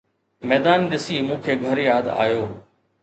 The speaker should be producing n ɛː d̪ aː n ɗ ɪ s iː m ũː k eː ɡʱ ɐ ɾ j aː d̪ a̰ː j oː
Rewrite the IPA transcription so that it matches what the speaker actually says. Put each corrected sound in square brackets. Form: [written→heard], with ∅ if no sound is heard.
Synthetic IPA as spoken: [n→m] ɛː d̪ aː n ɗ ɪ s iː m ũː [k→kʰ] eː ɡʱ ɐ ɾ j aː d̪ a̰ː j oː